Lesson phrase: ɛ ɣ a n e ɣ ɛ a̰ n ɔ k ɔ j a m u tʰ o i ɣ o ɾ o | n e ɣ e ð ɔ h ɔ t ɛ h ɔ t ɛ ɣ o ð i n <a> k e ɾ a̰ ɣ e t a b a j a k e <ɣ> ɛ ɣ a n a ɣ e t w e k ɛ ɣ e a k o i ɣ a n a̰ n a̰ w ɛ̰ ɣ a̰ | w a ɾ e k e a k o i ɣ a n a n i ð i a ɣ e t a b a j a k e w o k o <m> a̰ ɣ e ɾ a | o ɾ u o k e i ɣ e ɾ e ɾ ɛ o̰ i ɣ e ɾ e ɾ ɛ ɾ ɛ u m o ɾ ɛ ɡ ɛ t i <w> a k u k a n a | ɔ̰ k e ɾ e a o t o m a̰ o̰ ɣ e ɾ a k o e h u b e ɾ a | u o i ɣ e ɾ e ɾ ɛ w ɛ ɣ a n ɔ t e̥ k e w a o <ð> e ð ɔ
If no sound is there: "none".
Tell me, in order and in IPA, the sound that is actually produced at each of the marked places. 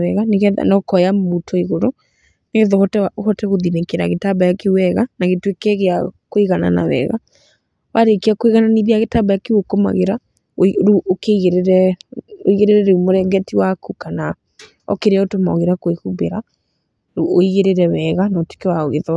e, w, m, w, ɣ

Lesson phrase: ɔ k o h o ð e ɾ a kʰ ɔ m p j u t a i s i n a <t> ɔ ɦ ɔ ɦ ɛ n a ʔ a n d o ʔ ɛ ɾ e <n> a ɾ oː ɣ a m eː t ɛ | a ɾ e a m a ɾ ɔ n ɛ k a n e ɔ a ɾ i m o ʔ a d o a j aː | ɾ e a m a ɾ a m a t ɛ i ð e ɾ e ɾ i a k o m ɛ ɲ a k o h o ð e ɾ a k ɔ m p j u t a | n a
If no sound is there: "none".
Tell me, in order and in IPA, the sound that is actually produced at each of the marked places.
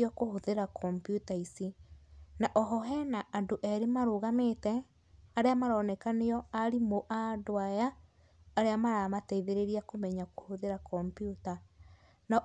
ʔ, m

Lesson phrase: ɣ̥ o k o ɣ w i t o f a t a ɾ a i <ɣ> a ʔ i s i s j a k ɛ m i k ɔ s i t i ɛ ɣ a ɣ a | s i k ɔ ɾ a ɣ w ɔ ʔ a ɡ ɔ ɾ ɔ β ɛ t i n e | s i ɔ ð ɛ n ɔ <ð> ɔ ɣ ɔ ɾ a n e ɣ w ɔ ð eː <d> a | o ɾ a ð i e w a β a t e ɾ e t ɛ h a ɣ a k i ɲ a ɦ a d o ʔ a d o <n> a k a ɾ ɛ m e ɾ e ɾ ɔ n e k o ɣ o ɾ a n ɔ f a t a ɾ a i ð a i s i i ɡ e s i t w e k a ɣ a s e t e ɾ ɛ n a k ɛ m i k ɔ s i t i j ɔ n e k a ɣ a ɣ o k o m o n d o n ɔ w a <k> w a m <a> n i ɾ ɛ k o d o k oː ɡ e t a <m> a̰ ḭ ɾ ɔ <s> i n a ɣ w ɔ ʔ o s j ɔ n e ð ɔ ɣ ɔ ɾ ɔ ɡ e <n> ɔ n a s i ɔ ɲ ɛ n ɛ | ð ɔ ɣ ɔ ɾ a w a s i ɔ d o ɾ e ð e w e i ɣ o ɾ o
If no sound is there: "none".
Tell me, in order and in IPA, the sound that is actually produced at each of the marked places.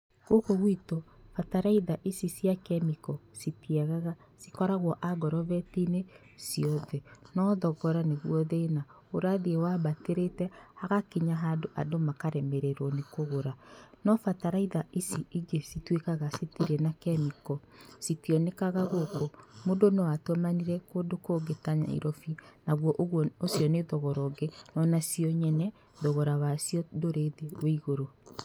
ð, ð, n, m, t, a, ɲ, f, n

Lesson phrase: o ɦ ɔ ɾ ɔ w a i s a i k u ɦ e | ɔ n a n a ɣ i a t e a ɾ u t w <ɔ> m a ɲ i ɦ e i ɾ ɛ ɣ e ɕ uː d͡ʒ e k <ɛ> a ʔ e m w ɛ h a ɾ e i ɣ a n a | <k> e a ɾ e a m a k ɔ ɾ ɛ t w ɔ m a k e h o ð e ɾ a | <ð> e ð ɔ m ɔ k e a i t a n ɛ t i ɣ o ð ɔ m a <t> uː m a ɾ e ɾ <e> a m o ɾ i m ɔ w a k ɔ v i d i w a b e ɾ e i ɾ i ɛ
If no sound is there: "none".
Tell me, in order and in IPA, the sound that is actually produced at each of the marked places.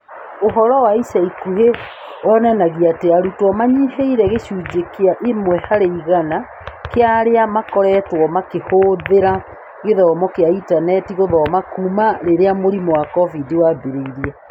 ɔ, e, k, ɣ, k, e

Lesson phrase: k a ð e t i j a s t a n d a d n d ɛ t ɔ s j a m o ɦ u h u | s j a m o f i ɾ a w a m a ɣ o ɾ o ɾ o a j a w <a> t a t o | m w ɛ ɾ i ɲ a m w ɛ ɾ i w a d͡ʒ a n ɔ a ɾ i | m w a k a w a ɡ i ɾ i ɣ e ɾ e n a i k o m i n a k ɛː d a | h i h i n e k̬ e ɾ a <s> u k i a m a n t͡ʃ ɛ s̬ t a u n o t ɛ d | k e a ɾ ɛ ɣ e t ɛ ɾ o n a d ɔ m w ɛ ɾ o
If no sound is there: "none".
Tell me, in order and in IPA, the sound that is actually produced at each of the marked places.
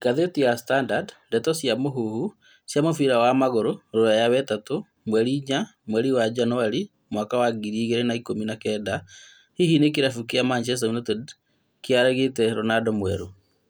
ɛ, f

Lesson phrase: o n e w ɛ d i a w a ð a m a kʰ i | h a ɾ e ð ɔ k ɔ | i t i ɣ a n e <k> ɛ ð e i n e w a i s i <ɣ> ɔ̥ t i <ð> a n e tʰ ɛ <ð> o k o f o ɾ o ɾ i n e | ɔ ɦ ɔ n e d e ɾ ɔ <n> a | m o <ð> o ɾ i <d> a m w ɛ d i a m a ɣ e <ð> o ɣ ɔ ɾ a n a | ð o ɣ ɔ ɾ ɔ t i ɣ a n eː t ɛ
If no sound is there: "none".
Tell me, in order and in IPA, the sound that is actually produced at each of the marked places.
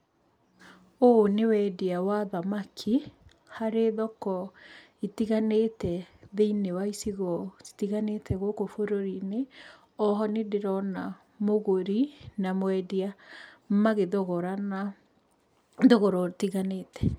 t, ɣ, ɣ, ɣ, n, ɣ, n, ð

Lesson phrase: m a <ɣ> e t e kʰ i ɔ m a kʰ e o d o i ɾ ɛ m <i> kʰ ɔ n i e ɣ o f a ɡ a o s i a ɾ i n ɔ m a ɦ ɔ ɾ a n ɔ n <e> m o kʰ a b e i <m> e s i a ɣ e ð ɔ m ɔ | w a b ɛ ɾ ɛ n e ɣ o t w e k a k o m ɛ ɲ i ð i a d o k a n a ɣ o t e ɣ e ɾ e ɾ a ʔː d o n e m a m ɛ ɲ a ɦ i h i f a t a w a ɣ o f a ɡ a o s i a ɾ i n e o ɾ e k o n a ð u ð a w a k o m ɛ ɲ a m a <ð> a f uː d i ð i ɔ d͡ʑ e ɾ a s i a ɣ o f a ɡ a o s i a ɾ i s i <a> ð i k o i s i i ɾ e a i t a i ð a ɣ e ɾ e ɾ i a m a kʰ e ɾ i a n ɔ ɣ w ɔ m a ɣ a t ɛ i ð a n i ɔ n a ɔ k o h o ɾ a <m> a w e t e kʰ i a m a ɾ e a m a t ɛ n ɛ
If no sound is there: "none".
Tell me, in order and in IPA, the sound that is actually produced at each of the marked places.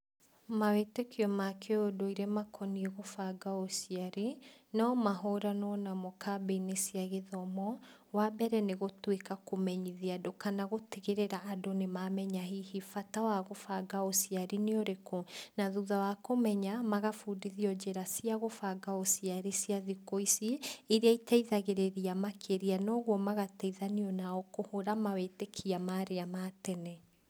w, a, a, n, ɣ, a, m

